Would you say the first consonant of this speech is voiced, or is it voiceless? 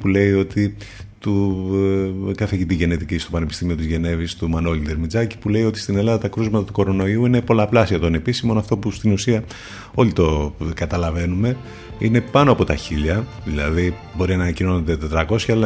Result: voiceless